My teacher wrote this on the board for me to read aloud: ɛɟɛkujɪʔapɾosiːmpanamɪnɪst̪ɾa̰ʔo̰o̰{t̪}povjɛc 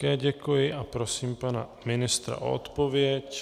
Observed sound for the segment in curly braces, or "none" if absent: t̪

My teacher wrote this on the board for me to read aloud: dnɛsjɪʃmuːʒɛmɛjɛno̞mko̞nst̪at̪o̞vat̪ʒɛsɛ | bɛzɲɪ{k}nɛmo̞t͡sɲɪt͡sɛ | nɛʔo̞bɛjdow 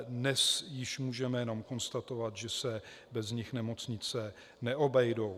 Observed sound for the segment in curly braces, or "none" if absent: x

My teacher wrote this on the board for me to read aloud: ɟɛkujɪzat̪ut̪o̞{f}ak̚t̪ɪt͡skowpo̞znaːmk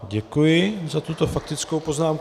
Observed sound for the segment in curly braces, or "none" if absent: f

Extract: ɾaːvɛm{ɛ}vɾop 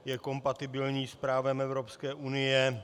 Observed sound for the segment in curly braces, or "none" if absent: ɛ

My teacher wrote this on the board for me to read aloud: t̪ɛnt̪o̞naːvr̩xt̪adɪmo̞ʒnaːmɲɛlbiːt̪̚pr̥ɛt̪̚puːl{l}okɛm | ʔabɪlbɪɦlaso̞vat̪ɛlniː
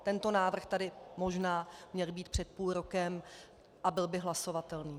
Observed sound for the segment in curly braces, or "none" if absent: ɾ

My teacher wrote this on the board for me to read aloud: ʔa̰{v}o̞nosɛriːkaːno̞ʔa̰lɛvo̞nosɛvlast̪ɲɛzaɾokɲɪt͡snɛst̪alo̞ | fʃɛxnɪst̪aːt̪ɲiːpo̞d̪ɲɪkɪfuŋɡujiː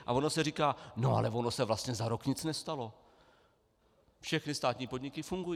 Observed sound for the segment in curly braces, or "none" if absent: v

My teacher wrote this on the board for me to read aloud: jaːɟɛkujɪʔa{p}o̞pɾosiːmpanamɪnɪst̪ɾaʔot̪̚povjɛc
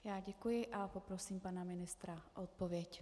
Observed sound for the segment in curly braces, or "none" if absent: p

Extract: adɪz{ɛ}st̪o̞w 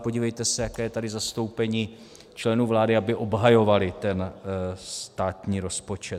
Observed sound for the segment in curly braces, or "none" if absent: a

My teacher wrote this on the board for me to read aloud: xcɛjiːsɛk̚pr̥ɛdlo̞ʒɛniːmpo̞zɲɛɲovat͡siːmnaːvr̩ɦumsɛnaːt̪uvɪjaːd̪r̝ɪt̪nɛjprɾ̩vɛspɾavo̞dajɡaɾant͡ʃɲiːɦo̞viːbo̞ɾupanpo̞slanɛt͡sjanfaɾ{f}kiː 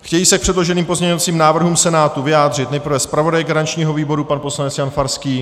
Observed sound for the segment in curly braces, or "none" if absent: s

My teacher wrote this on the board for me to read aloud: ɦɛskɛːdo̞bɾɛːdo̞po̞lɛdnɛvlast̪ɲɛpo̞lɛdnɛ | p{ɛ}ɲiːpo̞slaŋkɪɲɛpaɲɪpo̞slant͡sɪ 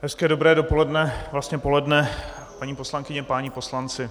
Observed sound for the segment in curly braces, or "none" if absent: a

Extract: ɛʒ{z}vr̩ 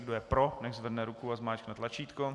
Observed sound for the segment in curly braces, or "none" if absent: z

